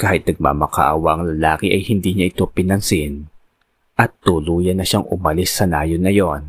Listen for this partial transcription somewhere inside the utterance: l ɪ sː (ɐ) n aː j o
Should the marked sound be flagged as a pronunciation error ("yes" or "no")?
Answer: no